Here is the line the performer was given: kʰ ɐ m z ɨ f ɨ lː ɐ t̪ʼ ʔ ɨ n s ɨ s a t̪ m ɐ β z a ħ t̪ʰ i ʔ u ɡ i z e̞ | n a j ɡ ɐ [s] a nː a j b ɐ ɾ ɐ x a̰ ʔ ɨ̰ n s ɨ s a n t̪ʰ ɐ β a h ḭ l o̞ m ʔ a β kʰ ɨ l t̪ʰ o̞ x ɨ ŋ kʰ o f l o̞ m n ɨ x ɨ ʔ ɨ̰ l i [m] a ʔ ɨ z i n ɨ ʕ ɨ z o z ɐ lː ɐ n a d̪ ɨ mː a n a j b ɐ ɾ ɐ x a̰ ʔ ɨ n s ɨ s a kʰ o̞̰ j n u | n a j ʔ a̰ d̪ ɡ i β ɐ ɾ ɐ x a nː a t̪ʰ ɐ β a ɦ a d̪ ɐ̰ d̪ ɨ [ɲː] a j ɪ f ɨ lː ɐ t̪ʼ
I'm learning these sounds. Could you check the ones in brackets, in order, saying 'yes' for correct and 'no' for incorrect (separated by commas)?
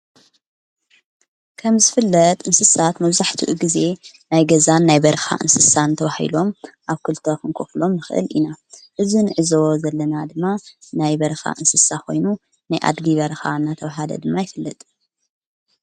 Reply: no, no, no